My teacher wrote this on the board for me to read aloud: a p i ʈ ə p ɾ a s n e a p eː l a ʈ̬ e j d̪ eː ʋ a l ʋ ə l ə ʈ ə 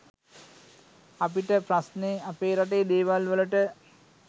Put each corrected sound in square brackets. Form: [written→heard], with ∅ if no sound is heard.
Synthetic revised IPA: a p i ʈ ə p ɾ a s n e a p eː [l→ɾ] a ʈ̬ e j d̪ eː ʋ a l ʋ ə l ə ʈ ə